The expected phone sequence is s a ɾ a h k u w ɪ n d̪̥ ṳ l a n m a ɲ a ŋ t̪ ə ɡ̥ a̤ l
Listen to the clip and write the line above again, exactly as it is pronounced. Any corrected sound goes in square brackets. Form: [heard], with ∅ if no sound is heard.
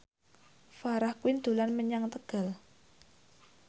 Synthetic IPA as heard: [f] a ɾ a h k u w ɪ n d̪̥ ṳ l a n m [ə] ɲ a ŋ t̪ ə ɡ̥ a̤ l

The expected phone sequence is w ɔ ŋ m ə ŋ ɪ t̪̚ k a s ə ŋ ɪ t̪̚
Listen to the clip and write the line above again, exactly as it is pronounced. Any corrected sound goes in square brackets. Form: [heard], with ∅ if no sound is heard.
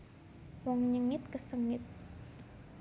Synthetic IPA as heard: w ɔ ŋ [ɲ] ə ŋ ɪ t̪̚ k [ə] s ə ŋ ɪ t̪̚

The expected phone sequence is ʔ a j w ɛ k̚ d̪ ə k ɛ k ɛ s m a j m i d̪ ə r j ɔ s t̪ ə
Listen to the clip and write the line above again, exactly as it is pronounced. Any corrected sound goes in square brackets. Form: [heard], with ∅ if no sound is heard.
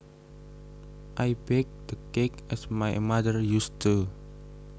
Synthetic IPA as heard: ʔ a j [b] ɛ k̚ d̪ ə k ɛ k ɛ s m a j m [a] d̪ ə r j [u] s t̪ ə

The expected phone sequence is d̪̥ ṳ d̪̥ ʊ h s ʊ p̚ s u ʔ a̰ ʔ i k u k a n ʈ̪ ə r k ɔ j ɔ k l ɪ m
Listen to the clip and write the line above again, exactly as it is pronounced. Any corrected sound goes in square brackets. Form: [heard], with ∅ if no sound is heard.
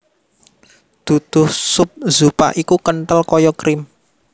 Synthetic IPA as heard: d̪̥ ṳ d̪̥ ʊ h s ʊ p̚ [z] u [p] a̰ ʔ i k u k [ə] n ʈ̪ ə [l] k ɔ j ɔ k [ɾ] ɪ m

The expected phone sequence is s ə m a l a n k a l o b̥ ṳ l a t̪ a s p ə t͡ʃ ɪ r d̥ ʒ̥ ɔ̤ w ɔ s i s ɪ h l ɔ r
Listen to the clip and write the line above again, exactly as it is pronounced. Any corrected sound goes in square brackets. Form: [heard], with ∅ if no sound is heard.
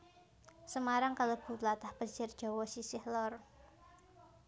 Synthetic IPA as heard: s ə m a [ɾ] a [ŋ] k a l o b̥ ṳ l a t̪ a [h] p ə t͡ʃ ɪ r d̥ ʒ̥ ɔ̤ w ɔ s i s ɪ h l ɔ r

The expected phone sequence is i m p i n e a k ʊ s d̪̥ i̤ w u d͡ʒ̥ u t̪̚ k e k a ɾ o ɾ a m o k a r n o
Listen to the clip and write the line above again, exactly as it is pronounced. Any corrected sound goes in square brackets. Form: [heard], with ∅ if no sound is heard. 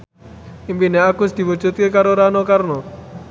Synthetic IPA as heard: i m p i n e a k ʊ s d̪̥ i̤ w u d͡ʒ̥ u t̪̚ k e k a ɾ o ɾ a [n] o k a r n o

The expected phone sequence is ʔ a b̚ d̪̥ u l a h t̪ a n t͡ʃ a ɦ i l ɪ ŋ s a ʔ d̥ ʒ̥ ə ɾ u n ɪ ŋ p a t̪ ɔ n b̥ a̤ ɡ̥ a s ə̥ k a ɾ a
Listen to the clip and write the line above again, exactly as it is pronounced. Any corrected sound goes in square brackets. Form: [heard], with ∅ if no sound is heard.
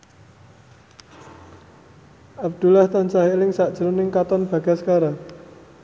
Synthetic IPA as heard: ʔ a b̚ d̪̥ u l a h t̪ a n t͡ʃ a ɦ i l ɪ ŋ s a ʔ d̥ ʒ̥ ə ɾ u n ɪ ŋ [k] a t̪ ɔ n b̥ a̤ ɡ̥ a s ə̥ k a ɾ a

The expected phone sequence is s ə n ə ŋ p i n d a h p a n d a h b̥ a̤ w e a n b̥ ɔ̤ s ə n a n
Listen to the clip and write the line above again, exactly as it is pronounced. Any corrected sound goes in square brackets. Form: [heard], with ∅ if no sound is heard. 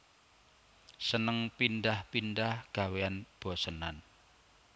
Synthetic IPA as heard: s ə n ə ŋ p i n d a h p [i] n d a h [ɡ̥] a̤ w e a n b̥ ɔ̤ s ə n a n

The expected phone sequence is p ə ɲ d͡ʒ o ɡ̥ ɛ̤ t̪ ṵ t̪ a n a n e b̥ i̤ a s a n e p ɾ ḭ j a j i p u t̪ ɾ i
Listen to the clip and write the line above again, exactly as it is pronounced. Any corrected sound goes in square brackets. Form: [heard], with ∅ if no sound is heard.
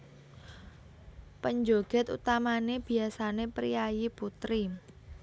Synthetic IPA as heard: p ə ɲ d͡ʒ o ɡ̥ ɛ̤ t̪ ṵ t̪ a [m] a n e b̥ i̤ a s a n e p ɾ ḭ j a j i p u t̪ ɾ i

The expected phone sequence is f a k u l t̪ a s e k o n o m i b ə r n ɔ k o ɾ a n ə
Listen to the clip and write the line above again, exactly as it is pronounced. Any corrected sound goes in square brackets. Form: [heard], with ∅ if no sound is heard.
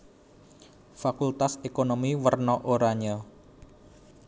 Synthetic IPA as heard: f a k u l t̪ a s e k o n o m i [w] ə r n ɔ [ʔ] o ɾ a [ɲ] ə

